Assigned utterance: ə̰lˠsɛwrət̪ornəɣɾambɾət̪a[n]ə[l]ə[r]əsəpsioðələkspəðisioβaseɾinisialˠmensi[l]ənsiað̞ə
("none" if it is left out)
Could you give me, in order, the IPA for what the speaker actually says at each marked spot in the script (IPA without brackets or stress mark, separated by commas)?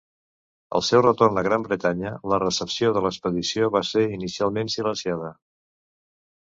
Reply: ɲ, l, r, l